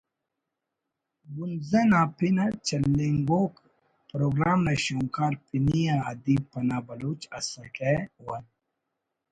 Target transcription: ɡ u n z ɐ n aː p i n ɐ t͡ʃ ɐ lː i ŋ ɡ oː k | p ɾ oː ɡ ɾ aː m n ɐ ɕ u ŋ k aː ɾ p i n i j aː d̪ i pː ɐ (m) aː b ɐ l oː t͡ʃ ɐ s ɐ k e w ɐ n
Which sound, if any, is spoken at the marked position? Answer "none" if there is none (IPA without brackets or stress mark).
n